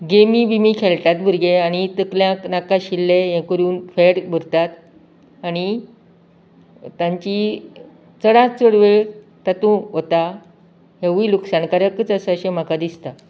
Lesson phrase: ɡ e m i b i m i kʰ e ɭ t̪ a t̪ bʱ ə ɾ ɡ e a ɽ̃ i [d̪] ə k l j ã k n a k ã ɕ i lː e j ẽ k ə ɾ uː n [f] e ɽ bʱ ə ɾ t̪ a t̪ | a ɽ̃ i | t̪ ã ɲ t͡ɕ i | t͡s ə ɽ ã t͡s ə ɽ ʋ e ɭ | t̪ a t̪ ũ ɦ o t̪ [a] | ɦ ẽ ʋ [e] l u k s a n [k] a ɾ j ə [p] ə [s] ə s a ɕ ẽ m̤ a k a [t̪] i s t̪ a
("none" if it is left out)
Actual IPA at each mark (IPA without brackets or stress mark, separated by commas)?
t̪, f, a, i, k, k, t͡s, d̪